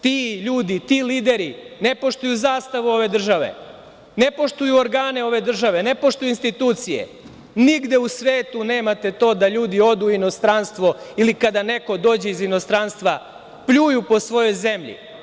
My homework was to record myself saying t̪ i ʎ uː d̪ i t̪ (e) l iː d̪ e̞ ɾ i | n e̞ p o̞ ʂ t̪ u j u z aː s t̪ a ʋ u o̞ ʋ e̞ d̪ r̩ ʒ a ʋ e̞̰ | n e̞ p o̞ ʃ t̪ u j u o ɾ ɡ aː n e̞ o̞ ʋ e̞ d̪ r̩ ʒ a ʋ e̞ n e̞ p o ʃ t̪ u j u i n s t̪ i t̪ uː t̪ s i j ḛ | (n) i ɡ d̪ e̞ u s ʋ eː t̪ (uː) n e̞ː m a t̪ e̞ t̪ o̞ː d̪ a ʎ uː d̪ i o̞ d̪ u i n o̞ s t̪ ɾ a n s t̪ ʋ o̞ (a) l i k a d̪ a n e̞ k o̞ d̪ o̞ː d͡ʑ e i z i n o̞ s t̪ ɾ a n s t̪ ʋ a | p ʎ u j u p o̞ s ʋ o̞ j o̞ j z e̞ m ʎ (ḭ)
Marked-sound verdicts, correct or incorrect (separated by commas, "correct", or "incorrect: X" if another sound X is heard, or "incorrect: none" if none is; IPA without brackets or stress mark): incorrect: i, correct, incorrect: u, incorrect: i, correct